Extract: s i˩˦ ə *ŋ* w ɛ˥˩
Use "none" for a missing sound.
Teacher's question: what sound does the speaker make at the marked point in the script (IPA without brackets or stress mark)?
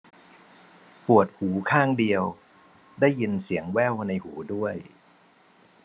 ŋ